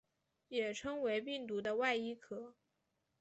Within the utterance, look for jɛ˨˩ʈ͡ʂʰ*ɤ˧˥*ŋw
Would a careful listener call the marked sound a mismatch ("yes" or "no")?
yes